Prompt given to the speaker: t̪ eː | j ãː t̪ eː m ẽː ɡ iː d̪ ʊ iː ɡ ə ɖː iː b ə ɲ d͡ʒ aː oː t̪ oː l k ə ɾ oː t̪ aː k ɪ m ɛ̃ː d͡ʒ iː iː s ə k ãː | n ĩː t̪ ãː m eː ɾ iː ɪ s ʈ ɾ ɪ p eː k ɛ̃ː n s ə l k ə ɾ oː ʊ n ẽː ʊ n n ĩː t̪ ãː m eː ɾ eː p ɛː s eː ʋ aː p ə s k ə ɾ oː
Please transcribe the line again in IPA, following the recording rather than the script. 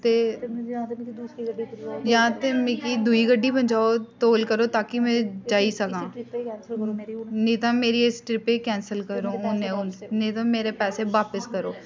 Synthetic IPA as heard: t̪ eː | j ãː t̪ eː m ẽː k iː d̪ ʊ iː ɡ ə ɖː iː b ə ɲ d͡ʒ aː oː t̪ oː l k ə ɾ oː t̪ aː k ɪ m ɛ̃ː d͡ʒ aː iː s ə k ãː | n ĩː t̪ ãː m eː ɾ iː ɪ s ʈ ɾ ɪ p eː k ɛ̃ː n s ə l k ə ɾ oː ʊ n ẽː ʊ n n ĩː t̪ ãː m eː ɾ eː p ɛː s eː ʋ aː p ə s k ə ɾ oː